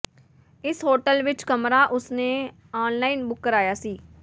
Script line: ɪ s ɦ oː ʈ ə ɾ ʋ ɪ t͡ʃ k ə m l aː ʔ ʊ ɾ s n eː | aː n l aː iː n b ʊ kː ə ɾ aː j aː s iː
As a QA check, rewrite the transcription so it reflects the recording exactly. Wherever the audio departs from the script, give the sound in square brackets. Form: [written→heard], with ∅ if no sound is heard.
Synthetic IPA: ɪ s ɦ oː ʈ ə [ɾ→l] ʋ ɪ t͡ʃ k ə m [l→ɾ] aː ʔ ʊ [ɾ→∅] s n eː | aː n l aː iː n b ʊ kː ə ɾ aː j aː s iː